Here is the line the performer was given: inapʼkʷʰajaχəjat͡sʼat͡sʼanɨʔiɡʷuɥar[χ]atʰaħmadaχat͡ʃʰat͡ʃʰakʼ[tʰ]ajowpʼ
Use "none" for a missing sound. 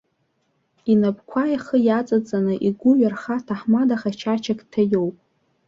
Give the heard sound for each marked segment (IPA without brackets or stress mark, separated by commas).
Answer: χ, tʰ